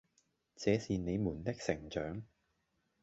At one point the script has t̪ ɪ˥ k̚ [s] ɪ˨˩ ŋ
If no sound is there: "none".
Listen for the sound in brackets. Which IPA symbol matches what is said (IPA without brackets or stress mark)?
s